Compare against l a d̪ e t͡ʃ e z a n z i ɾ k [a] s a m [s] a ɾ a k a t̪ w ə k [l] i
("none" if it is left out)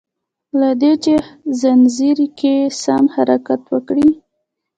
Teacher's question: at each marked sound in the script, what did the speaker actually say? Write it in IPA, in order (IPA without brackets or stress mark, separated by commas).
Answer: e, h, ɽ